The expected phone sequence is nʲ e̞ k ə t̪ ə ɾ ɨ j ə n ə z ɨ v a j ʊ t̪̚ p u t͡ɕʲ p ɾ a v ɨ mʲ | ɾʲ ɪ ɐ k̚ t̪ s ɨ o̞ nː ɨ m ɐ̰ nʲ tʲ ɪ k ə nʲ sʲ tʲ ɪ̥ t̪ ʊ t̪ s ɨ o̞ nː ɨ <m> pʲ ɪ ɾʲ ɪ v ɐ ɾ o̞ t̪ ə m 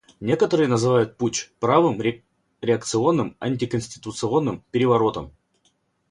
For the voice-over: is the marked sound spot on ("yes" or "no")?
yes